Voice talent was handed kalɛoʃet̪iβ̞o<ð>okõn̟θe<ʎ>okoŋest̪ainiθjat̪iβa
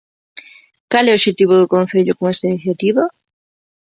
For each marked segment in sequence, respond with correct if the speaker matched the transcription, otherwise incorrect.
correct, correct

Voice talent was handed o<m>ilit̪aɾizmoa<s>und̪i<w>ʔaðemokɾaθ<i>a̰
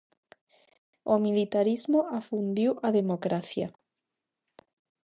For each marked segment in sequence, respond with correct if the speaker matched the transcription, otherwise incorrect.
correct, incorrect, correct, incorrect

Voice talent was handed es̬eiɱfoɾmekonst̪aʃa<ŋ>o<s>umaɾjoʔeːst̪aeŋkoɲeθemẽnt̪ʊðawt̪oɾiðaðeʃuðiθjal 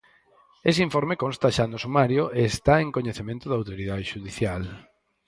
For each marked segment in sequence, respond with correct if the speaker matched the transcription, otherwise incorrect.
incorrect, correct

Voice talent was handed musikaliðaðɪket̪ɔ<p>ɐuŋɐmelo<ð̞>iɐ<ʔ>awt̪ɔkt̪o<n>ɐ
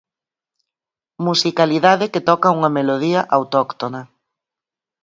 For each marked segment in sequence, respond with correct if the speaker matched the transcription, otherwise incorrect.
incorrect, correct, correct, correct

